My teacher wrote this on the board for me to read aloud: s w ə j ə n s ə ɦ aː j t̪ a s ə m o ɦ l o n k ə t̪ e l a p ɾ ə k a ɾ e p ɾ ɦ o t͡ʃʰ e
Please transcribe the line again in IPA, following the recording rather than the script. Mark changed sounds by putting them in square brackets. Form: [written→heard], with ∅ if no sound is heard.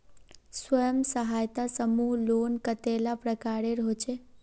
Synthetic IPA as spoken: s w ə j ə [n→m] s ə ɦ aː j t̪ a s ə m [o→u] ɦ l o n k ə t̪ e l a p ɾ ə k a ɾ e [p→∅] ɾ ɦ o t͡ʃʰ e